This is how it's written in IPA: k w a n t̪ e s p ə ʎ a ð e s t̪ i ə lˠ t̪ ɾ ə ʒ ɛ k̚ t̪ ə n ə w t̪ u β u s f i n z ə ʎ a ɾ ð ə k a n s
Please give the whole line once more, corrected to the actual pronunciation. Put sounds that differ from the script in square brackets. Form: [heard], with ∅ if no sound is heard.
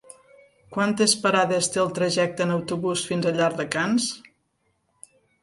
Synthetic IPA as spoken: k w a n t̪ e s p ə [ɾ] a ð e s t̪ [e] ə lˠ t̪ ɾ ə ʒ ɛ k̚ t̪ ə n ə w t̪ u β u s f i n z ə ʎ a ɾ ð ə k a n s